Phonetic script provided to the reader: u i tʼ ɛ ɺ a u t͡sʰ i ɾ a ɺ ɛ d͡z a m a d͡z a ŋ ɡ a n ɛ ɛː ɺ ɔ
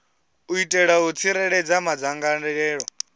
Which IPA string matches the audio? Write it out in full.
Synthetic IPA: u i tʼ ɛ ɺ a u t͡sʰ i ɾ ɛ ɺ ɛ d͡z a m a d͡z a ŋ ɡ a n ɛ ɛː ɺ ɔ